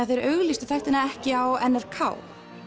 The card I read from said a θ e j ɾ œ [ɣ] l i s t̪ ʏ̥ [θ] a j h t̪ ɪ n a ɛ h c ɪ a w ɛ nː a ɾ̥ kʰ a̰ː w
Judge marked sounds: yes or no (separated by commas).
yes, yes